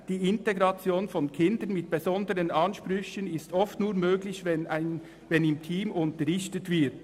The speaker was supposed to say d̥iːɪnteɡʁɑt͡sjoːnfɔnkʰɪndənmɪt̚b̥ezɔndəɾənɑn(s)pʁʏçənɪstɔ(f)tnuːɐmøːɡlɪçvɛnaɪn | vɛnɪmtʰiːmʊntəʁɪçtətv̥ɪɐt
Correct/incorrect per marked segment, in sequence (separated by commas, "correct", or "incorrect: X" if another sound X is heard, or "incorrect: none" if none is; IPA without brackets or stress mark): incorrect: ʃ, correct